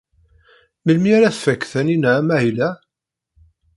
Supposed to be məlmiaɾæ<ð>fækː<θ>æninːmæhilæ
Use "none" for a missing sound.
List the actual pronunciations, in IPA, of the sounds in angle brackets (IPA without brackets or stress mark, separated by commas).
θ, θ